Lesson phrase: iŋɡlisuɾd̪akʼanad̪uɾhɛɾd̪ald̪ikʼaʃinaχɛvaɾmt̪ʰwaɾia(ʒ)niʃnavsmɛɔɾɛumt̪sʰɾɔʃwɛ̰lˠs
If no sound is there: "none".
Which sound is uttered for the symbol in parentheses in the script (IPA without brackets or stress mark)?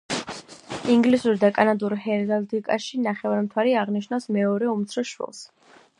ʁ